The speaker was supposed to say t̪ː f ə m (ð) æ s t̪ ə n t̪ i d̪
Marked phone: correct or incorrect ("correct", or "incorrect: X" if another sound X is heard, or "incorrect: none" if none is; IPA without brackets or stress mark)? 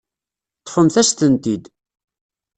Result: incorrect: θ